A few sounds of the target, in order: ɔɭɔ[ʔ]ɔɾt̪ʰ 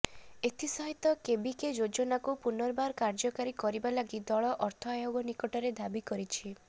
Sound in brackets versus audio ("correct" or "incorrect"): correct